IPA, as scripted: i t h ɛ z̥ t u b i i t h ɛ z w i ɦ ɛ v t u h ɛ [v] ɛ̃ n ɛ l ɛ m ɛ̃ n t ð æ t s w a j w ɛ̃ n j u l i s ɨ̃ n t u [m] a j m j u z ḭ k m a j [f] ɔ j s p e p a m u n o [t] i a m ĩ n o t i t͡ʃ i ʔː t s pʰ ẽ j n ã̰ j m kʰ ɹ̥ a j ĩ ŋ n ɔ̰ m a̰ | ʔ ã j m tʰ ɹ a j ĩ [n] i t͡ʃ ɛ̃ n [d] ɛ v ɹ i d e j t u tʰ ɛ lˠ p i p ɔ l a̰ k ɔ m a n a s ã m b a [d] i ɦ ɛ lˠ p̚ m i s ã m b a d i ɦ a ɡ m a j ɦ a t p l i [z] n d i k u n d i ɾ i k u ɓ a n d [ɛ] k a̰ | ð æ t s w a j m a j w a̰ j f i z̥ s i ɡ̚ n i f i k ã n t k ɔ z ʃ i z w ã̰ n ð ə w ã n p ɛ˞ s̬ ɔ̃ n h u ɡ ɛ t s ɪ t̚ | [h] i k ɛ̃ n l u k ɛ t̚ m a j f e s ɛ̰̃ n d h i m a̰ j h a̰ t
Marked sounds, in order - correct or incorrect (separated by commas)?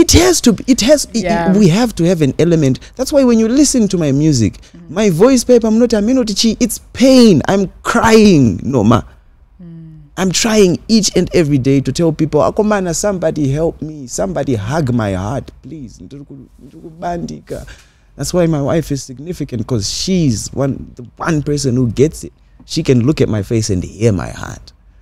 correct, correct, incorrect, correct, incorrect, correct, correct, correct, incorrect, incorrect